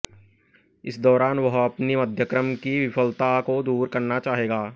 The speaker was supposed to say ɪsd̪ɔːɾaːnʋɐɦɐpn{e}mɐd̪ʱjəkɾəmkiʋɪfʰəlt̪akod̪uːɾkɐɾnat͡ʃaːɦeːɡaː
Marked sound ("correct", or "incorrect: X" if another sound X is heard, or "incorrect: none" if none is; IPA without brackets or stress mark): incorrect: i